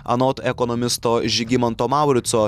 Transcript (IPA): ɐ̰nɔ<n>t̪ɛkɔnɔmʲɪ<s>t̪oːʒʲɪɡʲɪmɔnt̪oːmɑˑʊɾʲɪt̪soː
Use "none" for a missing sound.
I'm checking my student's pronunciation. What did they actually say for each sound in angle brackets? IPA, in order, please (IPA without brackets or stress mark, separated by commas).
none, s